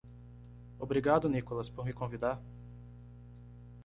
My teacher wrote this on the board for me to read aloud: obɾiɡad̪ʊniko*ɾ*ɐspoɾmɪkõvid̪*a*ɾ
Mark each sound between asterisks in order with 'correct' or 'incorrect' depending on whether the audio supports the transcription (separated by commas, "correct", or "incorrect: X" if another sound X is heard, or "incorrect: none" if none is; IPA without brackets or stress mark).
incorrect: l, correct